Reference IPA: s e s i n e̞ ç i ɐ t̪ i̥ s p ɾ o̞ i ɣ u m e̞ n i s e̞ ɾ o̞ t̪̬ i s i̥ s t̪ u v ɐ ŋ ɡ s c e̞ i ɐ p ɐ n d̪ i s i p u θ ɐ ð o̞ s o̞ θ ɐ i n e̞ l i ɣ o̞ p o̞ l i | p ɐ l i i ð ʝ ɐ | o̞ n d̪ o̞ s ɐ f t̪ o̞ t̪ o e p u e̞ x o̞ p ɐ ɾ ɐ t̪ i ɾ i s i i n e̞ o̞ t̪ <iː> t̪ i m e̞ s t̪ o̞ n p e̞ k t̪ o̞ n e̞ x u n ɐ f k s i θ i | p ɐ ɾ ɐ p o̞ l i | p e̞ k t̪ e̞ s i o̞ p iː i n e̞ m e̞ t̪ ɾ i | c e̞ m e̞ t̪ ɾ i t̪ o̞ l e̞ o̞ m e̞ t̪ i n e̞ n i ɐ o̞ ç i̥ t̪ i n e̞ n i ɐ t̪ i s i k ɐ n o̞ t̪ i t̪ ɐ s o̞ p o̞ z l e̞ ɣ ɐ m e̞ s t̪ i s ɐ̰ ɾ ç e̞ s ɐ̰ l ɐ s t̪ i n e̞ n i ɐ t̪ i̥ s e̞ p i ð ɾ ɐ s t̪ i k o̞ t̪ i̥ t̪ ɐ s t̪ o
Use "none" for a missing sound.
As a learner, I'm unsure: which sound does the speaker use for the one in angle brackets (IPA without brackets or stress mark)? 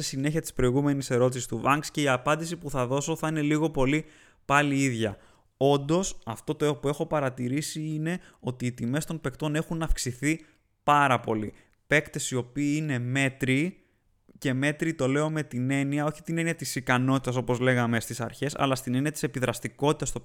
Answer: iː